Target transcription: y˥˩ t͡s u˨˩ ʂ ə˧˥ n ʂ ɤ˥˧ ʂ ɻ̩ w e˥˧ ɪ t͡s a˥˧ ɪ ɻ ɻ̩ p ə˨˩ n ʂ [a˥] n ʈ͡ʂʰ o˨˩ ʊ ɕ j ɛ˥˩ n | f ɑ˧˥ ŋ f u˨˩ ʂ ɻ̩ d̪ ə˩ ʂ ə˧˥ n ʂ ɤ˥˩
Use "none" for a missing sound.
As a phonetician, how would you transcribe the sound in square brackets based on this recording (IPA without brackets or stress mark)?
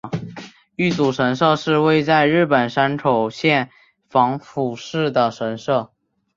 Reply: a˥